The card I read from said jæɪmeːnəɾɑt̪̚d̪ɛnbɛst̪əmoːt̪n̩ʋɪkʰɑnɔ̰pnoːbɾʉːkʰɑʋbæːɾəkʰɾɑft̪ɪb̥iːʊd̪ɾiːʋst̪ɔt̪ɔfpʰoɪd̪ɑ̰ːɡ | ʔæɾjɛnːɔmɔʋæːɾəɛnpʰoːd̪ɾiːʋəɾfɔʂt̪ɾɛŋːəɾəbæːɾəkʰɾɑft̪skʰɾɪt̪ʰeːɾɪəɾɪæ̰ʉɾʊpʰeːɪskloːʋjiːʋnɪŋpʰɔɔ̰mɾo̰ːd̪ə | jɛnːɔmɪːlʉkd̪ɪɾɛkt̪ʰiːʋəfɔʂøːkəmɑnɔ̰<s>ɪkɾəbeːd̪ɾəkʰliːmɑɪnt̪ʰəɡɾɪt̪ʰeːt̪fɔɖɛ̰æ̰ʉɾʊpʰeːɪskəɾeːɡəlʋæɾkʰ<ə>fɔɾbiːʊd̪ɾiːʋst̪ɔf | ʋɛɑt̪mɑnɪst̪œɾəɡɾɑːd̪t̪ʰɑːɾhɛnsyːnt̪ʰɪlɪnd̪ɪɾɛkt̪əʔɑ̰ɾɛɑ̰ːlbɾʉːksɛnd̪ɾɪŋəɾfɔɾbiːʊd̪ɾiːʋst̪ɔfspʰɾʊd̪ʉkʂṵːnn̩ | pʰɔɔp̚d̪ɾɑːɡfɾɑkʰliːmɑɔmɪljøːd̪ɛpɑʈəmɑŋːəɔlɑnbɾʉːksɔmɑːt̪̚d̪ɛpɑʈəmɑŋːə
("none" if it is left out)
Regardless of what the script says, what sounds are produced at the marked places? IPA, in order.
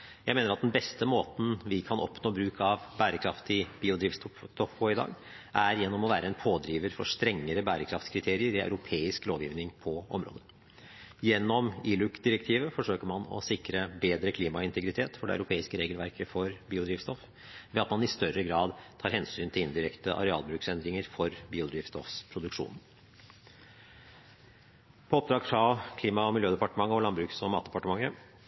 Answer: s, ə

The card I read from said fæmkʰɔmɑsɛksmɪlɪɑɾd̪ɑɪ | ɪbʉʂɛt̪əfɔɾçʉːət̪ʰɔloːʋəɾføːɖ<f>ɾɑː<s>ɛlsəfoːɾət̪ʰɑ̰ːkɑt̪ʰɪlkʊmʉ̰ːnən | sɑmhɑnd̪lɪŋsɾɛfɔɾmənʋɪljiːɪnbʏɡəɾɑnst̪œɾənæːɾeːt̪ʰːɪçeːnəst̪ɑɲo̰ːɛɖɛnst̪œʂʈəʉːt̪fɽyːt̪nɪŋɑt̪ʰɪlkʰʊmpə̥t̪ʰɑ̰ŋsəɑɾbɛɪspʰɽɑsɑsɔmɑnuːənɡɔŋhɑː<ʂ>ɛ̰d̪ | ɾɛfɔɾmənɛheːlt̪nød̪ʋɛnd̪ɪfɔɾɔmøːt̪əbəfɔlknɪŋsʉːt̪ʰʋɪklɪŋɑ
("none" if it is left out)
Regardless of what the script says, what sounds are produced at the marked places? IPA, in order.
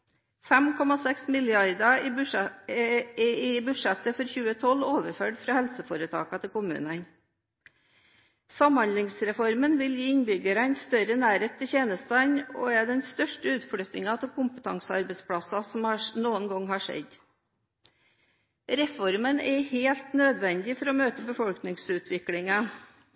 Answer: f, h, ʂ

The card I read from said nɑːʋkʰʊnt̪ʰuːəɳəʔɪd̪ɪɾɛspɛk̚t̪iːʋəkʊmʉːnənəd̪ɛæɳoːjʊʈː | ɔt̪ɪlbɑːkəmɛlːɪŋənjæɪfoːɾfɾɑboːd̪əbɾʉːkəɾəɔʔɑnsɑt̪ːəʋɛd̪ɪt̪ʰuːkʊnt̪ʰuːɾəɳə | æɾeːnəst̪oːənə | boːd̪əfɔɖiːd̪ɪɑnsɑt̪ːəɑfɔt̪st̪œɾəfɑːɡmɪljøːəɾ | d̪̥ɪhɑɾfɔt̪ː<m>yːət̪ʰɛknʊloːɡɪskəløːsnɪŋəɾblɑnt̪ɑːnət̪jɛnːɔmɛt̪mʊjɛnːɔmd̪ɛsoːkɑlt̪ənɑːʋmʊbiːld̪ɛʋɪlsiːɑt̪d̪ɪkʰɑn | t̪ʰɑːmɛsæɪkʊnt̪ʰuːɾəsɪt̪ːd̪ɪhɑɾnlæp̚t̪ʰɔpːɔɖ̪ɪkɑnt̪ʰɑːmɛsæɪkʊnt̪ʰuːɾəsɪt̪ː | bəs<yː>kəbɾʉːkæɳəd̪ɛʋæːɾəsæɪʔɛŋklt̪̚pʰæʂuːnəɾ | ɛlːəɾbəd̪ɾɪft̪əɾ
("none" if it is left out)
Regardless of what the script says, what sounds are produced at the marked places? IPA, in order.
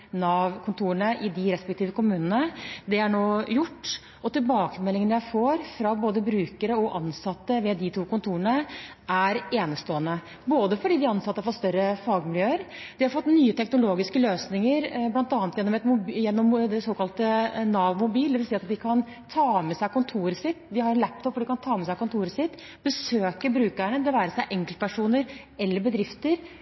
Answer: n, øː

